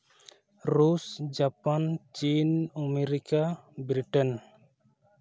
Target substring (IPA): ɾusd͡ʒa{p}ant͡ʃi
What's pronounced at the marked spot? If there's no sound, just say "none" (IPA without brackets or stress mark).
p